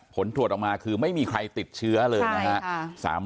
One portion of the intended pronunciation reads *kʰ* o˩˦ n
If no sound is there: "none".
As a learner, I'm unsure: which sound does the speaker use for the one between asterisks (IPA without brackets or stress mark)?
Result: pʰ